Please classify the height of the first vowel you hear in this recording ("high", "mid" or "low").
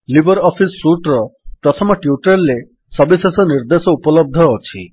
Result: high